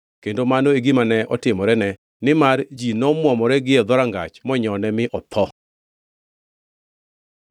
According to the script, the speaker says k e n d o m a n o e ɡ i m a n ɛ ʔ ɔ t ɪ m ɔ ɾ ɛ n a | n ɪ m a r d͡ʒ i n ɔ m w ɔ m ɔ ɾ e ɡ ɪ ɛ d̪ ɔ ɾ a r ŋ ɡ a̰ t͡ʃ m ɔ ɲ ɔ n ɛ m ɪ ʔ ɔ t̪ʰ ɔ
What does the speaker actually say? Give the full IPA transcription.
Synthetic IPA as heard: k e n d o m a n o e ɡ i m a n ɛ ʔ ɔ t ɪ m ɔ ɾ ɛ n ɛ | n ɪ m a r d͡ʒ i n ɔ m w ɔ m ɔ ɾ ɛ ɡ ɪ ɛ d̪ ɔ ɾ a ŋ ɡ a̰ t͡ʃ m ɔ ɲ ɔ n ɛ m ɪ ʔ ɔ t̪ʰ ɔ